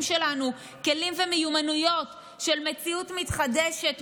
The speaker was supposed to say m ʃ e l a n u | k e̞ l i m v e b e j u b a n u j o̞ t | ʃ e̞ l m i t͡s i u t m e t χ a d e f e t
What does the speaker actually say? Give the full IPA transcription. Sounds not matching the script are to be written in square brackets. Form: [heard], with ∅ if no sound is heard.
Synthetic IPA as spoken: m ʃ e l a n u | k e̞ l i m v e [m] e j u [m] a n u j o̞ t | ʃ e̞ l m [e] t͡s i u t m [i] t χ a d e [ʃ] e t